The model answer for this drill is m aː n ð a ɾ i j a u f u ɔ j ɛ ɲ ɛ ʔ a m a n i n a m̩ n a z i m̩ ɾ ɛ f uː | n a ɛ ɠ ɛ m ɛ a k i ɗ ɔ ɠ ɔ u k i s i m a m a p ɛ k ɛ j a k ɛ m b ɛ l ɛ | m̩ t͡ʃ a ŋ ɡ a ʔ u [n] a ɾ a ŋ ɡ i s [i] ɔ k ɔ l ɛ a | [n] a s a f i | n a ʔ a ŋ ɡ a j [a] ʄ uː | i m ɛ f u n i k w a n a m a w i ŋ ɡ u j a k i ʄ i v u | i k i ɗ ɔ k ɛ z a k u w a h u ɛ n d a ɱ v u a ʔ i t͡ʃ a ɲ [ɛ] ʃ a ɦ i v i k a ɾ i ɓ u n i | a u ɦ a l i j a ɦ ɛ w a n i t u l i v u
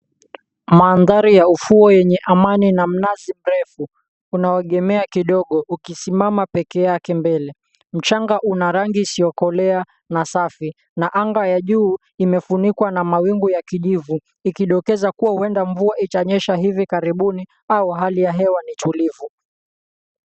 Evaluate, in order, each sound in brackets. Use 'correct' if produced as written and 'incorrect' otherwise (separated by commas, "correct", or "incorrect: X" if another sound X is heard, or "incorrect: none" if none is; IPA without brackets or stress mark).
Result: correct, correct, correct, correct, correct